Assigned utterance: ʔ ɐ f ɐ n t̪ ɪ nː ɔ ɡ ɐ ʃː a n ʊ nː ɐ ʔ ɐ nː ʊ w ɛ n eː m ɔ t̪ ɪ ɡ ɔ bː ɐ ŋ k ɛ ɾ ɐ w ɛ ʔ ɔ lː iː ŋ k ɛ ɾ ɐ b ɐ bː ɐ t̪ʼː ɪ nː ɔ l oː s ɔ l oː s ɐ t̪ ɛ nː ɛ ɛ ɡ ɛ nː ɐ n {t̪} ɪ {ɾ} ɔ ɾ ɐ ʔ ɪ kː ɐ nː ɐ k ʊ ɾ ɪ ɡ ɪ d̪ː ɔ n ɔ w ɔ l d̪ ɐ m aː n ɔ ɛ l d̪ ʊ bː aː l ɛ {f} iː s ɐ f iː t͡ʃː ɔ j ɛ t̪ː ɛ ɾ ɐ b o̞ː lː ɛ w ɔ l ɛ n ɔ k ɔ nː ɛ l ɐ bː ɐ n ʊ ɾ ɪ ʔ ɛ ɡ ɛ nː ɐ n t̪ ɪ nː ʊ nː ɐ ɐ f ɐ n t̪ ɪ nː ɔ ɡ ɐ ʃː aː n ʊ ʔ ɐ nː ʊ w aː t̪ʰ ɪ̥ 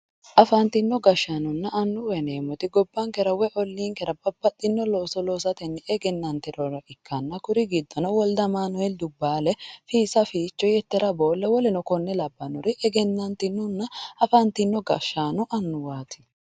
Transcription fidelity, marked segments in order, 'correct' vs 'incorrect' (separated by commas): correct, correct, correct